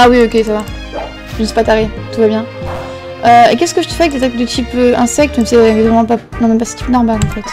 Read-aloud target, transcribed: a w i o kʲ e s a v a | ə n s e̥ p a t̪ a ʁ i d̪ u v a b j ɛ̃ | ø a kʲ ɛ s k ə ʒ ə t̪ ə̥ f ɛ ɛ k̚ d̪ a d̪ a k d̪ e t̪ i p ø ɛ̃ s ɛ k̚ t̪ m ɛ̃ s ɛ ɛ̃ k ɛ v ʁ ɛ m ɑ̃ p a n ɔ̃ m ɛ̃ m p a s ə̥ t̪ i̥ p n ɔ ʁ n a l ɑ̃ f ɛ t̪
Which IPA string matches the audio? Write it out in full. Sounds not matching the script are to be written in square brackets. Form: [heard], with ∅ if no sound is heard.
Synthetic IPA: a w i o kʲ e s a v a | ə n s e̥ p a t̪ a ʁ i [t̪] u v a b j ɛ̃ | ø [e] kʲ ɛ s k ə ʒ ə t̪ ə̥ f ɛ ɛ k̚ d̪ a [t̪] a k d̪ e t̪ i p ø ɛ̃ s ɛ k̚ t̪ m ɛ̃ s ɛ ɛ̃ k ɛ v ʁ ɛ m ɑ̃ p a n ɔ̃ m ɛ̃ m p a s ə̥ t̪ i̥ p n ɔ ʁ [m] a l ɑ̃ f ɛ t̪